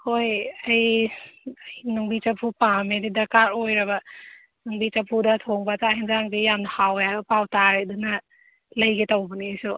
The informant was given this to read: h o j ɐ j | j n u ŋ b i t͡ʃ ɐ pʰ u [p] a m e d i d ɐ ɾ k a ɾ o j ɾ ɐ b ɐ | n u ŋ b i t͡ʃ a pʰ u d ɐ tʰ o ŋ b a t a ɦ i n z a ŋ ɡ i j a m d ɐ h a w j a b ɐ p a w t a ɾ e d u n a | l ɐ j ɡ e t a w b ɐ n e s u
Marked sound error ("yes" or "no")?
no